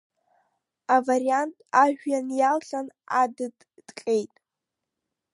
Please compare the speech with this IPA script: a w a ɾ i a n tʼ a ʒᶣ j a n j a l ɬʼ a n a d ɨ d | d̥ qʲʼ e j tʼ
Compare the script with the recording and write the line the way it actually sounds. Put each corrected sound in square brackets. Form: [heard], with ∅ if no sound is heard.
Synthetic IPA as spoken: a [v] a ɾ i a n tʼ a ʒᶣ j a n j a l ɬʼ a n a d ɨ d | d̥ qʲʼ e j tʼ